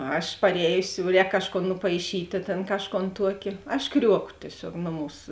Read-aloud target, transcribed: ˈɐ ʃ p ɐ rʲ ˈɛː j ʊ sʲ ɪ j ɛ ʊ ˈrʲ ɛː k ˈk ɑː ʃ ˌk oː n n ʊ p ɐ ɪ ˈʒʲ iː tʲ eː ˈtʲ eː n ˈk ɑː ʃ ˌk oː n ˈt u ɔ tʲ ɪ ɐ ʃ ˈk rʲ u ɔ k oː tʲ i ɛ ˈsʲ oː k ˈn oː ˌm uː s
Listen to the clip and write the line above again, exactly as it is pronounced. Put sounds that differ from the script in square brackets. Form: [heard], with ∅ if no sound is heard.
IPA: ˈɐ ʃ p ɐ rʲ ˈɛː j ʊ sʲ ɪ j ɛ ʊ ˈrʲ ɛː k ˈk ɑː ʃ ˌk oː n n ʊ p ɐ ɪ [ˈʃʲ] iː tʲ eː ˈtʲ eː n ˈk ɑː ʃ ˌk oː n ˈt u ɔ [kʲ] ɪ ɐ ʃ ˈk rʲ u ɔ k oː tʲ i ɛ ˈsʲ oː k ˈn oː ˌm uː s